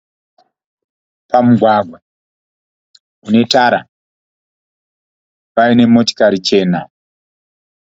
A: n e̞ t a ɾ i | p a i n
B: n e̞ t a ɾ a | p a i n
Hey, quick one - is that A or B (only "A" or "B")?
B